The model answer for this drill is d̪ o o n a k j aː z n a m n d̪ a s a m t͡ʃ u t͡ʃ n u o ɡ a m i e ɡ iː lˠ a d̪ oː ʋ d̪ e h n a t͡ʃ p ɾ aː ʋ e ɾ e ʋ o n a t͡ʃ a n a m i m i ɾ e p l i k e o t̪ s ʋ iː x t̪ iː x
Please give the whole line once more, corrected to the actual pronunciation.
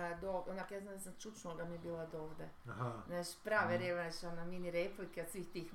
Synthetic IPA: d̪ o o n a k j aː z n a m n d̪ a s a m t͡ʃ u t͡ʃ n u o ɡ a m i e b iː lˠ a d̪ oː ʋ d̪ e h n a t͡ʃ p ɾ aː ʋ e ɾ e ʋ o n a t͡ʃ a n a m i n i ɾ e p l i k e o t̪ s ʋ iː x t̪ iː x